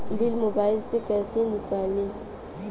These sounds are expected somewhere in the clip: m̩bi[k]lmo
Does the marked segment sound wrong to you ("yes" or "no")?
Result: yes